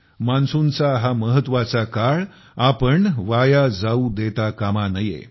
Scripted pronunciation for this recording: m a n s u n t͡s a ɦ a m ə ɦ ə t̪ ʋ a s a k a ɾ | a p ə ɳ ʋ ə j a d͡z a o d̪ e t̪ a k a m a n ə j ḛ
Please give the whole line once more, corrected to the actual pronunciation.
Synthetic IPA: m a n s u n t͡s a ɦ a m ə ɦ ə t̪ ʋ a t͡s a k a ɭ | a p ə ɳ ʋ a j a d͡z a u d̪ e t̪ a k a m a n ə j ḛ

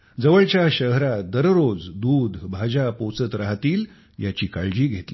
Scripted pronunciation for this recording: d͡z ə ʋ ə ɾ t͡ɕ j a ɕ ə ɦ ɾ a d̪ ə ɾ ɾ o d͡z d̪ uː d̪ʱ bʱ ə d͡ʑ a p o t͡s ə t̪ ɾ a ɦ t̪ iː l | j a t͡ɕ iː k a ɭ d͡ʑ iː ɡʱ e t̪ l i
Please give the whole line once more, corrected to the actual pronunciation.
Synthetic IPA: d͡z ə ʋ ə ɭ t͡ɕ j a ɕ ə ɦ ɾ a d̪ ə ɾ ɾ o d͡z d̪ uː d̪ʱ bʱ a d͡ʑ a p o t͡s ə t̪ ɾ a ɦ t̪ iː l | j a t͡ɕ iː k a ɭ d͡ʑ iː ɡʱ e t̪ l i

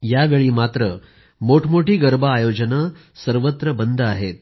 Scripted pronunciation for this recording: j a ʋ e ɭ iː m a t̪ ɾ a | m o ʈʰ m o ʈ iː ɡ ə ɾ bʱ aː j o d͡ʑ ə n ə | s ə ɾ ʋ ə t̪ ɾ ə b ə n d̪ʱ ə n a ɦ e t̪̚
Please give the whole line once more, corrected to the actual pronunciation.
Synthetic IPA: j a ʋ e ɭ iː m a t̪ ɾ ə | m o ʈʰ m o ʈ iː ɡ ə ɾ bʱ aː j o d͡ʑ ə n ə | s ə ɾ ʋ ə t̪ ɾ ə b ə n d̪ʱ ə a ɦ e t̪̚

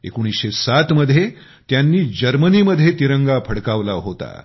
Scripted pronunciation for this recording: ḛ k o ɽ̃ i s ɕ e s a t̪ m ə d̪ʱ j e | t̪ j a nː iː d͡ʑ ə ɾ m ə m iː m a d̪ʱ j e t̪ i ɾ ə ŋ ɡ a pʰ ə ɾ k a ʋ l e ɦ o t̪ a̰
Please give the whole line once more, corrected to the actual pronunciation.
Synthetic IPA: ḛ k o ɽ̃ i s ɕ e s a t̪ m ə d̪ʱ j e | t̪ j a nː iː d͡ʑ ə ɾ m ə n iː m ə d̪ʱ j e t̪ i ɾ ə ŋ ɡ a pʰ ə ɽ k a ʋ l a ɦ o t̪ a̰

